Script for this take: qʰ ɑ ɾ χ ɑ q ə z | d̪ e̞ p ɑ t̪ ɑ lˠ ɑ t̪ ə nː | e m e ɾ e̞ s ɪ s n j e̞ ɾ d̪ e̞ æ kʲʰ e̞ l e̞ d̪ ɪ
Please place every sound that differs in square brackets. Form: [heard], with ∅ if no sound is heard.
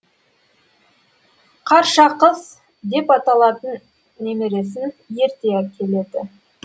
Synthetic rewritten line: qʰ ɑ ɾ [ʃ] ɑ q ə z | d̪ e̞ p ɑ t̪ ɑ lˠ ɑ t̪ ə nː | e m e ɾ e̞ s ɪ [∅] n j e̞ ɾ [t̪] e̞ æ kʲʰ e̞ l e̞ d̪ ɪ